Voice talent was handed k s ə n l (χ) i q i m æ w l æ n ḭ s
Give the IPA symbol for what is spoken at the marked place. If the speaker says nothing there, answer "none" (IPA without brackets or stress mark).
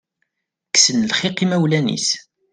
χ